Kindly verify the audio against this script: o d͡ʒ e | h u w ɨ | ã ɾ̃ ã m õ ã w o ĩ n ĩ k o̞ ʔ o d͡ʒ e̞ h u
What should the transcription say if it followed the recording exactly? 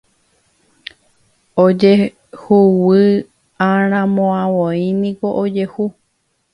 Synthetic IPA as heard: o d͡ʒ e | h u w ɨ | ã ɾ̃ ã m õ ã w o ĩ n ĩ k o̞ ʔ o d͡ʒ e̞ h u